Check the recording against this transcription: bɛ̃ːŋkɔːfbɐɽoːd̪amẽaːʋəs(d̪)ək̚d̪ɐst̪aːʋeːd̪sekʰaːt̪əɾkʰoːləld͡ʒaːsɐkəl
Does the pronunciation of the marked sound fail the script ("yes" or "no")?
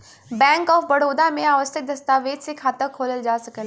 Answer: yes